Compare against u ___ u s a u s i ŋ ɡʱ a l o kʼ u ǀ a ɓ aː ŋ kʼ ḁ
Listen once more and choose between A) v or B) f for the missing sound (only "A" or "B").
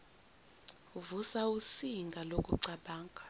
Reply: A